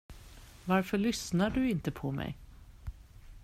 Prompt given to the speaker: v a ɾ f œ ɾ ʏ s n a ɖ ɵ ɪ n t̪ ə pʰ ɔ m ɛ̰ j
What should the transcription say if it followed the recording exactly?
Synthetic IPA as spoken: v a ɾ f œ ɭ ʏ s n a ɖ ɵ ɪ n t̪ ə pʰ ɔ m ɛ̰ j